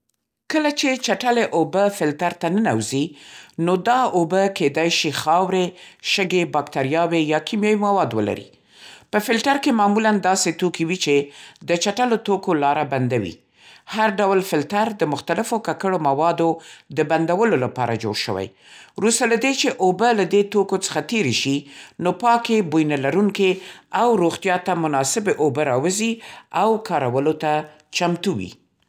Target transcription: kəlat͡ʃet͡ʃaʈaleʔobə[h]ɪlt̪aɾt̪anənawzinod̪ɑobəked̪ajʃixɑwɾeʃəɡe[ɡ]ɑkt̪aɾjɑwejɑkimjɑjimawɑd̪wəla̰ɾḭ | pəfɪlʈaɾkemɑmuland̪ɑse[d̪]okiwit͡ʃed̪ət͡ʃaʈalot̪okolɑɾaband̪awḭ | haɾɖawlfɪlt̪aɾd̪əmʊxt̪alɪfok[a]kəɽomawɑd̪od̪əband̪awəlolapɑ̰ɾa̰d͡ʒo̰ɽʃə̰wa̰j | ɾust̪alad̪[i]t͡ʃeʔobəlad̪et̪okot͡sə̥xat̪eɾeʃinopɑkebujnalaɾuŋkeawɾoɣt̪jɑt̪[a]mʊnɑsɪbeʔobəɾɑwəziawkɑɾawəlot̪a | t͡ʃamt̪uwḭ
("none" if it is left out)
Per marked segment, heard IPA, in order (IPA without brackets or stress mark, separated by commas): f, b, t̪, a, e, a